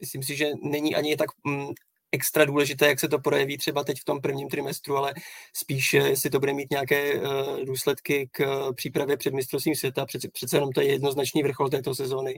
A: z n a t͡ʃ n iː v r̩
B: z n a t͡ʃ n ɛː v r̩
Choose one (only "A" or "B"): A